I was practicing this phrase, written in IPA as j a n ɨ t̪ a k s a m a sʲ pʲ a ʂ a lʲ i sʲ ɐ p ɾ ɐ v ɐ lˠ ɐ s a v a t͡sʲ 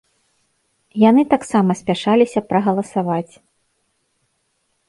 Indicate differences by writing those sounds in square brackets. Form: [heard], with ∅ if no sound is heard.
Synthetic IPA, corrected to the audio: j a n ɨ t̪ a k s a m [ɐ] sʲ pʲ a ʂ a lʲ i sʲ ɐ p ɾ ɐ [ɣ] ɐ lˠ ɐ s a v a t͡sʲ